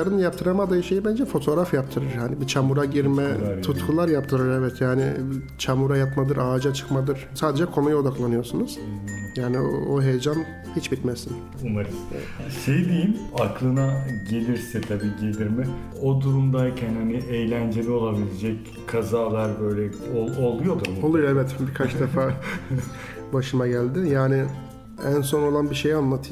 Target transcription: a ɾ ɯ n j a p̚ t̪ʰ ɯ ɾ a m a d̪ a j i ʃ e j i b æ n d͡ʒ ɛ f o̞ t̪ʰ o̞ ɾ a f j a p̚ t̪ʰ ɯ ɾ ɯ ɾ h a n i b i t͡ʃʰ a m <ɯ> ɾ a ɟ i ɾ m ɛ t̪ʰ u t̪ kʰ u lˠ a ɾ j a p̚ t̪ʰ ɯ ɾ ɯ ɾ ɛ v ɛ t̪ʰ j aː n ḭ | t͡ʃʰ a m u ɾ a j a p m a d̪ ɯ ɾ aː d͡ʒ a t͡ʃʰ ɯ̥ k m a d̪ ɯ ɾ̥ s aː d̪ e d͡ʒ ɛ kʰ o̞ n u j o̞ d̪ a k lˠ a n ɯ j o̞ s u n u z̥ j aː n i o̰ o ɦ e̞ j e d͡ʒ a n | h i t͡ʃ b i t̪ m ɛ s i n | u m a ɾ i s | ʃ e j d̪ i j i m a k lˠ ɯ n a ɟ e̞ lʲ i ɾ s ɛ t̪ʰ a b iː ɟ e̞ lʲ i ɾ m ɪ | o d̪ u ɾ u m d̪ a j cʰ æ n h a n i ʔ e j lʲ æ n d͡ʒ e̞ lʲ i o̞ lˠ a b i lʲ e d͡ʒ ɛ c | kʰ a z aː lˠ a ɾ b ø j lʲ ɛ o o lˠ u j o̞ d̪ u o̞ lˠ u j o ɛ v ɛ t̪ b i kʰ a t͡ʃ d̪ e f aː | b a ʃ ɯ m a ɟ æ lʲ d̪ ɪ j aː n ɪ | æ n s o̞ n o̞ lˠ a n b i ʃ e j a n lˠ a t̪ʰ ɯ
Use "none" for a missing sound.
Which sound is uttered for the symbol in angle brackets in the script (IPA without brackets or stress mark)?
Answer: u